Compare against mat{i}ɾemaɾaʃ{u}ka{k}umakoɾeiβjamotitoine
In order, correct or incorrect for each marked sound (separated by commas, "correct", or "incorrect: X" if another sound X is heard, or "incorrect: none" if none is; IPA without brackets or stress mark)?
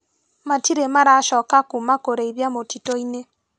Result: correct, incorrect: ɔ, correct